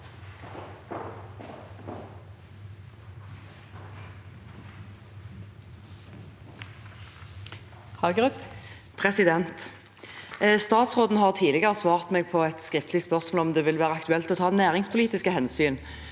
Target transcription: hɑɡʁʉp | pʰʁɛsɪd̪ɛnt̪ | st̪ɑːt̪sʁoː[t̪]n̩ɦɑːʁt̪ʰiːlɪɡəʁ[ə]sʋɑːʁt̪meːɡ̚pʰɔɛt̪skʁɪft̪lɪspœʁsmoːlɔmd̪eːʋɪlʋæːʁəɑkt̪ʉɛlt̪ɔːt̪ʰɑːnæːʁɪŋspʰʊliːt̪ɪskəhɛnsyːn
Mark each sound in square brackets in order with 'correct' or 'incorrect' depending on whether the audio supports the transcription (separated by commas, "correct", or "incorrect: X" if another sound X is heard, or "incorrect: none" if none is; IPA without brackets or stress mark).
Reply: incorrect: d̪, correct